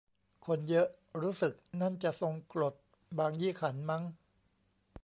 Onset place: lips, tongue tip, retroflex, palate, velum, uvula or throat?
velum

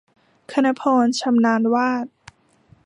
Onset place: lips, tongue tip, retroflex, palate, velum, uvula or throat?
velum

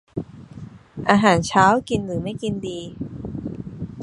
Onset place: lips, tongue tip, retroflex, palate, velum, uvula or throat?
throat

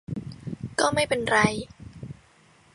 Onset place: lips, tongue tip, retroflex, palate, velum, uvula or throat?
velum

